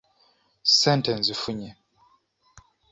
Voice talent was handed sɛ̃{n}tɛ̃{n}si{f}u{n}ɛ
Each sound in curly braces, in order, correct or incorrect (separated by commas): correct, correct, correct, incorrect